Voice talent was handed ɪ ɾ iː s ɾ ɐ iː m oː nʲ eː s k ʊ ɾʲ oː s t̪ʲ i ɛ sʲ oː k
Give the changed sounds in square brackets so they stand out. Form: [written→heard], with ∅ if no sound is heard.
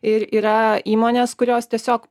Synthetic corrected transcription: ɪ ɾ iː [s→∅] ɾ ɐ iː m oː nʲ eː s k ʊ ɾʲ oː s t̪ʲ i ɛ sʲ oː k